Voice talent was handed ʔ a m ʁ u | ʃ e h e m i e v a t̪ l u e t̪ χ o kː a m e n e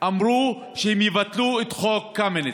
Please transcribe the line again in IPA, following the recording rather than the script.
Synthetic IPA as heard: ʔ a m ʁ u | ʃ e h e m j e v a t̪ l u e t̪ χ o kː a m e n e